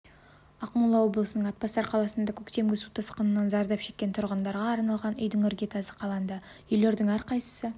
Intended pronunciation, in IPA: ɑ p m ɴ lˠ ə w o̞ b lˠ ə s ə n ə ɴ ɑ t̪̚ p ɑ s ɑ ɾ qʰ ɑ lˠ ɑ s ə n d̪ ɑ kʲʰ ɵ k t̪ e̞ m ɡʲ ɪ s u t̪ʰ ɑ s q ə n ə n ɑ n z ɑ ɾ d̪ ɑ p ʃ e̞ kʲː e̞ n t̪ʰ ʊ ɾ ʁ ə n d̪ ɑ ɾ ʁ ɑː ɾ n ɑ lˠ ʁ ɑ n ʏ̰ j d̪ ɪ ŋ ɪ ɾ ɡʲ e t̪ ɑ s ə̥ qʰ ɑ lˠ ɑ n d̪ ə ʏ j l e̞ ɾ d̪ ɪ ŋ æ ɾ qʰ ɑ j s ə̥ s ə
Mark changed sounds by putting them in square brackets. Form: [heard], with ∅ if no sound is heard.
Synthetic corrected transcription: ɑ [q] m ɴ lˠ [ɑ] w o̞ b lˠ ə s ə n ə ɴ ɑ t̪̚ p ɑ s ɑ ɾ qʰ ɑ lˠ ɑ s ə n d̪ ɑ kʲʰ ɵ k t̪ e̞ m ɡʲ ɪ s u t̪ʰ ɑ s q ə n ə n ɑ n z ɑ ɾ d̪ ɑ p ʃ e̞ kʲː e̞ n t̪ʰ ʊ ɾ ʁ ə n d̪ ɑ ɾ ʁ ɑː ɾ n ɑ lˠ ʁ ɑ n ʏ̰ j d̪ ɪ ŋ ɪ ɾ ɡʲ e t̪ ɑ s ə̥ qʰ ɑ lˠ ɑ n d̪ [ɑ] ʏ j l e̞ ɾ d̪ ɪ ŋ æ ɾ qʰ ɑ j s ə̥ s ə